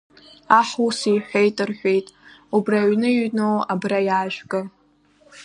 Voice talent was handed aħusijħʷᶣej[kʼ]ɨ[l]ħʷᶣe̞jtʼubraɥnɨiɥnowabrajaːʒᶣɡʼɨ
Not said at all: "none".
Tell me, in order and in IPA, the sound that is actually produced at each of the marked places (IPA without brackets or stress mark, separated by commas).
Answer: tʼ, r